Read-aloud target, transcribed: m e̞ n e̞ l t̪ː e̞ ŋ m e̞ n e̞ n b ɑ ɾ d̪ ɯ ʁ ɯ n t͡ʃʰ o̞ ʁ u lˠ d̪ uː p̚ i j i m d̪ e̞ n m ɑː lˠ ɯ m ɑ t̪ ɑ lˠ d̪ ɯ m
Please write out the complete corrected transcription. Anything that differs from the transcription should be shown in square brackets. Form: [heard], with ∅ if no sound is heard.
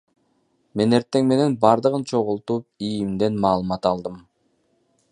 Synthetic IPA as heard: m e̞ n e̞ [ɾ] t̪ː e̞ ŋ m e̞ n e̞ n b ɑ ɾ d̪ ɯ ʁ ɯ n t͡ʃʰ o̞ ʁ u lˠ [t̪] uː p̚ i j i m d̪ e̞ n m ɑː lˠ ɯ m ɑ t̪ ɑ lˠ d̪ ɯ m